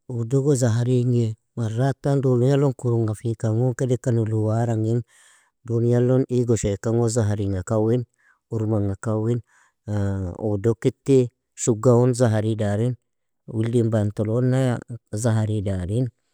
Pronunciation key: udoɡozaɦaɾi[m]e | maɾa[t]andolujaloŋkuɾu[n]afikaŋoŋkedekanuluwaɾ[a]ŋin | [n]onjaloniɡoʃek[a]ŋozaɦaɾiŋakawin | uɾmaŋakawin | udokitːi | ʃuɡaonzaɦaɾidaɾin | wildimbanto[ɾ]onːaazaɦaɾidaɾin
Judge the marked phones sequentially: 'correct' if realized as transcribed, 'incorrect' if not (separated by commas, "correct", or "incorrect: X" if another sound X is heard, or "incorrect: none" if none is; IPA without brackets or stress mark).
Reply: incorrect: ŋ, correct, incorrect: ŋ, correct, incorrect: d, correct, incorrect: l